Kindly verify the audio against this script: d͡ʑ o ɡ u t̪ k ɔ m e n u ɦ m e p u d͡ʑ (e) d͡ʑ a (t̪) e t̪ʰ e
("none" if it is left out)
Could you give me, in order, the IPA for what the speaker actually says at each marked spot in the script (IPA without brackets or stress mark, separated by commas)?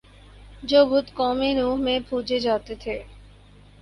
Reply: e, t̪